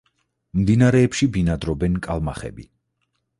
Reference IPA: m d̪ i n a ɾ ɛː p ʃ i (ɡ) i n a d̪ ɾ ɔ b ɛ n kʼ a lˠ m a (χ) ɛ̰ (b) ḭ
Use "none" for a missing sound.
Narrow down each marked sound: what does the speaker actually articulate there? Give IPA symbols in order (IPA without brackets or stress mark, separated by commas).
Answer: b, χ, b